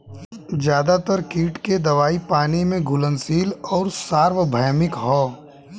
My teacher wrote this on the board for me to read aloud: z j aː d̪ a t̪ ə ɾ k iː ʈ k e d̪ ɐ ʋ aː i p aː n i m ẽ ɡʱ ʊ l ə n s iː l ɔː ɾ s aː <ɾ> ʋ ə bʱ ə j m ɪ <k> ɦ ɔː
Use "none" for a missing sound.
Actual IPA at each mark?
ɾ, k

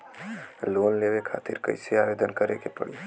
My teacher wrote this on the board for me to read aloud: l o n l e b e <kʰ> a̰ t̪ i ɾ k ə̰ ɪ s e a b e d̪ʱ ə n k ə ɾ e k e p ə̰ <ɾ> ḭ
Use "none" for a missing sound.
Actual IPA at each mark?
kʰ, ɽ

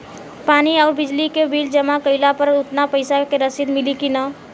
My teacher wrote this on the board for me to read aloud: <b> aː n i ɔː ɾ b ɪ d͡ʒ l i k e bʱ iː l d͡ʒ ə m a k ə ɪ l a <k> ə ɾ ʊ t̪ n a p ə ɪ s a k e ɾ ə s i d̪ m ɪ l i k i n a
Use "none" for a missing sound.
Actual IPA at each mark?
p, p

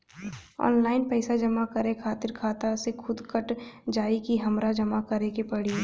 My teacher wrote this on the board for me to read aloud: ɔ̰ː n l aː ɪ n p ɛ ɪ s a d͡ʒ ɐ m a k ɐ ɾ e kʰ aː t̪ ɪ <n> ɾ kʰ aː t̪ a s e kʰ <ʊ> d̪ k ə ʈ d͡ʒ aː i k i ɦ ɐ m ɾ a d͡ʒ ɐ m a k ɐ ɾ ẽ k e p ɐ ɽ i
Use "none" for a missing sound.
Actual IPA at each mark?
none, ʊ

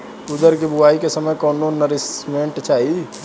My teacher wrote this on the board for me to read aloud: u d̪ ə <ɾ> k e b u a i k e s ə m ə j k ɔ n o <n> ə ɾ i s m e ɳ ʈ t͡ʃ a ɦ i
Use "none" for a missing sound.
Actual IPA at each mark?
ɾ, n

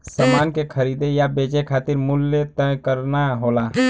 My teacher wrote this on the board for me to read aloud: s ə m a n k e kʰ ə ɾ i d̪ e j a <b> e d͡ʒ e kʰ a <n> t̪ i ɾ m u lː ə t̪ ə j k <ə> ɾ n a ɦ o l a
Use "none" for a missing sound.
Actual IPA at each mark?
b, none, ə

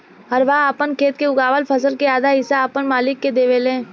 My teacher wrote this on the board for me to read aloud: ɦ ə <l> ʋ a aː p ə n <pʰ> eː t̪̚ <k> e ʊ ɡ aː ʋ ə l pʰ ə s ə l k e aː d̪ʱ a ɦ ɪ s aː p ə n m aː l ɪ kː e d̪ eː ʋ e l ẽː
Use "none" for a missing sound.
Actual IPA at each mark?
ɾ, kʰ, k

